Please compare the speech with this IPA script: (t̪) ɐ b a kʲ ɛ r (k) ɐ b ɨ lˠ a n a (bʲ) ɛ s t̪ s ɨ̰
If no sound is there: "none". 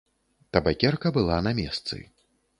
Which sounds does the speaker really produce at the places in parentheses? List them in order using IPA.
t̪, k, mʲ

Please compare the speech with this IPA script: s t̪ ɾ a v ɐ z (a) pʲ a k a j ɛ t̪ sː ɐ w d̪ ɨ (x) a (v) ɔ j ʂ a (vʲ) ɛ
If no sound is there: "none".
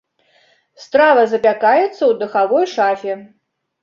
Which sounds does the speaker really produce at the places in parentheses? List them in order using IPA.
ɐ, x, v, fʲ

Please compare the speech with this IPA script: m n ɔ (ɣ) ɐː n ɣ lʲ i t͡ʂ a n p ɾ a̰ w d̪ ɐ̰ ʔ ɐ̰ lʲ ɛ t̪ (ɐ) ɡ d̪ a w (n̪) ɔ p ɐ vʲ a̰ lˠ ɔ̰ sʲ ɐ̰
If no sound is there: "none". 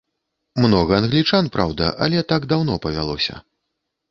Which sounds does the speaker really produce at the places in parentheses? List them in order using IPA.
ɣ, a, n̪

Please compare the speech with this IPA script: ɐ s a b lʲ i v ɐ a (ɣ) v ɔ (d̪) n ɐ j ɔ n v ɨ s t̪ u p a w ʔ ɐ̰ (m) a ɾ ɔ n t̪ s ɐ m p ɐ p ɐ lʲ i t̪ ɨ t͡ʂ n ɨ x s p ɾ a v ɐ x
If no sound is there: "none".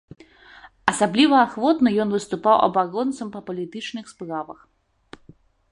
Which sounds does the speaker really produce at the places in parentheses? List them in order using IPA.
x, t̪, b

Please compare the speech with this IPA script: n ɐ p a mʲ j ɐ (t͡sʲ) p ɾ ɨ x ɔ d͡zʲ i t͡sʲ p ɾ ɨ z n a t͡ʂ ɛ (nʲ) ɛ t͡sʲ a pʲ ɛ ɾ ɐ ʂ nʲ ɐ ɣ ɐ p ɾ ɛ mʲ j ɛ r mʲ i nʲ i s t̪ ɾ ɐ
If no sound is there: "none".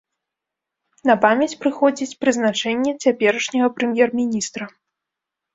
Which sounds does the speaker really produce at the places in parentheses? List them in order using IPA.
t͡sʲ, nʲː

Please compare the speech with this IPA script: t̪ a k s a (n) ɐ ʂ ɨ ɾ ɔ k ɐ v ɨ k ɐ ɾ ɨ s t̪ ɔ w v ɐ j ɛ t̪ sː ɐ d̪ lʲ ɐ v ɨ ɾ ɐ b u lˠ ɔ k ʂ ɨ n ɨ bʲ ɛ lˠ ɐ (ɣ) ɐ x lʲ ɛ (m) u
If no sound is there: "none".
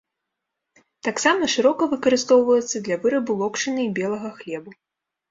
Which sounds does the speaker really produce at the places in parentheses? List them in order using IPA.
m, ɣ, b

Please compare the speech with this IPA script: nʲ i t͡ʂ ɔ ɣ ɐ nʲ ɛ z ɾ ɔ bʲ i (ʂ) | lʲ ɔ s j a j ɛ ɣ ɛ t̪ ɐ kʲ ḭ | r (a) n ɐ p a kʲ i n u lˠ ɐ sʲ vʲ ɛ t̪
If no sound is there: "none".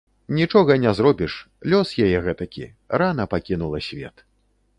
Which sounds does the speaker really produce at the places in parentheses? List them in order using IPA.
ʂ, a

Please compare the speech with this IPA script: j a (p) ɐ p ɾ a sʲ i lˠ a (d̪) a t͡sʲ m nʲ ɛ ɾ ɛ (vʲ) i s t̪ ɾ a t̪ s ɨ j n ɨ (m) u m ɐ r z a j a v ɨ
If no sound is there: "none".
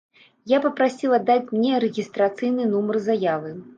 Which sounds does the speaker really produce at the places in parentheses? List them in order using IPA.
p, d̪ː, ɣʲ, n

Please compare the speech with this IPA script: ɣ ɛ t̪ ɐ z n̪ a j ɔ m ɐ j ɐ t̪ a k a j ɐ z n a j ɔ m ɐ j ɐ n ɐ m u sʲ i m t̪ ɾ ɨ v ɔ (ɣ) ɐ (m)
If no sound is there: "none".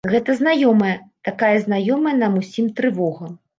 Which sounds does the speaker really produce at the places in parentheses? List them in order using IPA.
ɣ, m

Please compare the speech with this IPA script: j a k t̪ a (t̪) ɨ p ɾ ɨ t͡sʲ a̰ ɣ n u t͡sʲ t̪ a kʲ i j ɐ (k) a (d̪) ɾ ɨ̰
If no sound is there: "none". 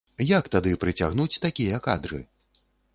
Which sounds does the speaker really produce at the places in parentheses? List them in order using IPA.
d̪, k, d̪

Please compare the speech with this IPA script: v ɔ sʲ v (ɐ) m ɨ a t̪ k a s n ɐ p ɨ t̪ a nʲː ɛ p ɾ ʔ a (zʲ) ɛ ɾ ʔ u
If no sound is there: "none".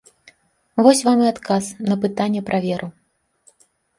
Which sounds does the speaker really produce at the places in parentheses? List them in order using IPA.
a, vʲ

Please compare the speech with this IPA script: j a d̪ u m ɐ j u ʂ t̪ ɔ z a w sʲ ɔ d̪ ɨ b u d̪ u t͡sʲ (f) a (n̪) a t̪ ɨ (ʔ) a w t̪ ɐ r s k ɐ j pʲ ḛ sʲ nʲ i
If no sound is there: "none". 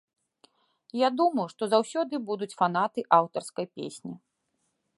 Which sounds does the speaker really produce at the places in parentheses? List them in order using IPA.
f, n̪, ʔ

